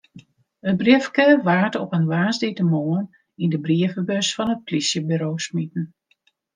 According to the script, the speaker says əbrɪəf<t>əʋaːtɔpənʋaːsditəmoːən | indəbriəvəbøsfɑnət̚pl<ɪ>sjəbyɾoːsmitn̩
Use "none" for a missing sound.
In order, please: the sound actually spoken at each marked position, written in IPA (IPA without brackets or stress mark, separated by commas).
k, i